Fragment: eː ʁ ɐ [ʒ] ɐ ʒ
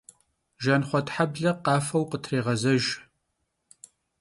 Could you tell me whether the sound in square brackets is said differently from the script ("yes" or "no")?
yes